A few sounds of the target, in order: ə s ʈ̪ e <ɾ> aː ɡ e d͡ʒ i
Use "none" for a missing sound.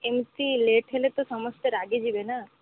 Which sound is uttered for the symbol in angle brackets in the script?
ɾ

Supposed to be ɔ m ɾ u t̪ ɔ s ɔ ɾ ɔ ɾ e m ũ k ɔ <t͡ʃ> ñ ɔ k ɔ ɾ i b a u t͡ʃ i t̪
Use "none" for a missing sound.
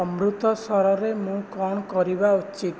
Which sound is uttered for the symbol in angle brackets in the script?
none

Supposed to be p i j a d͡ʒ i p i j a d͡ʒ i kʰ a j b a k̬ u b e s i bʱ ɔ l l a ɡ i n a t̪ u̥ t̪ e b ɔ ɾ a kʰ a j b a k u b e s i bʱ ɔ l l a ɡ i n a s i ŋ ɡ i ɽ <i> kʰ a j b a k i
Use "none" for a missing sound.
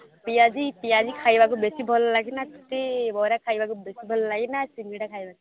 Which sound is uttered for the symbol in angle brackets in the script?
a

